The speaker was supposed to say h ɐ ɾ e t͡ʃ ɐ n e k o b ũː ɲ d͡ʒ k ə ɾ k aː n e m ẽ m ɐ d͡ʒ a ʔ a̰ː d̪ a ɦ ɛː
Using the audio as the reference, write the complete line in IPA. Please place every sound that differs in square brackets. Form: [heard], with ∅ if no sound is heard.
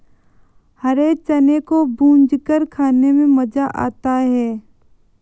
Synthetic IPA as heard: h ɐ ɾ e t͡ʃ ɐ n e k o b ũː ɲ d͡ʒ k ə ɾ [kʰ] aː n e m ẽ m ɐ d͡ʒ a ʔ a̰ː [t̪] a ɦ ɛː